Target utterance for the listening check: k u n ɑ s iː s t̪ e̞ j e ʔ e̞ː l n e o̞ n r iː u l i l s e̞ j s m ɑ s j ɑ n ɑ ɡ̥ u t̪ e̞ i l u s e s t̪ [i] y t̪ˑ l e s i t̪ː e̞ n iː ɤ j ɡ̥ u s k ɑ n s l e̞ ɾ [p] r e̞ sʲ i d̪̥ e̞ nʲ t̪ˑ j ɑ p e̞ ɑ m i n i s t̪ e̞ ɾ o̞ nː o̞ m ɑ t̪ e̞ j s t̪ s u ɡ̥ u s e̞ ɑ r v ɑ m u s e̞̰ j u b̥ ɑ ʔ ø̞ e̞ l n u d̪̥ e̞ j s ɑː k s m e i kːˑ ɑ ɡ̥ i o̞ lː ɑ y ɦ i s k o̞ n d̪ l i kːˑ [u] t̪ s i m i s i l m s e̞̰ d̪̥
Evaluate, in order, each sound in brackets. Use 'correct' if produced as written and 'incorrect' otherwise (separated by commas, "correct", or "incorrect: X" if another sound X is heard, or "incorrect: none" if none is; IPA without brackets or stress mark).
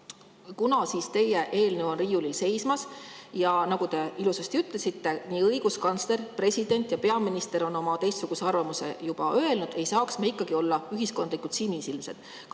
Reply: correct, correct, correct